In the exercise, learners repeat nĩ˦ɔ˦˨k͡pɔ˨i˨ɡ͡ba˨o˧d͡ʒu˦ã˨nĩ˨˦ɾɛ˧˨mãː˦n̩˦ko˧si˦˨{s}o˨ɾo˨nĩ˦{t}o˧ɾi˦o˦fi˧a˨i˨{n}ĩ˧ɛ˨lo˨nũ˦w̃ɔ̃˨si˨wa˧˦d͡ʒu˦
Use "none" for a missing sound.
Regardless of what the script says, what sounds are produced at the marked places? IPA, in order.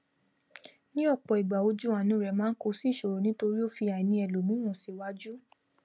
ʃ, t, n

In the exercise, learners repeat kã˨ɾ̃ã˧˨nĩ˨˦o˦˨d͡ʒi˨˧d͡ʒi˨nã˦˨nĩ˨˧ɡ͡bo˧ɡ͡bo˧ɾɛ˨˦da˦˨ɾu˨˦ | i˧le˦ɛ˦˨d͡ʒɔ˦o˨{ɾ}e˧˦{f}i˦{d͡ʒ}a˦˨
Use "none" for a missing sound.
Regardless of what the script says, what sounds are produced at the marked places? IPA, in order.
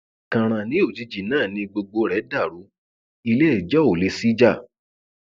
l, s, d͡ʒ

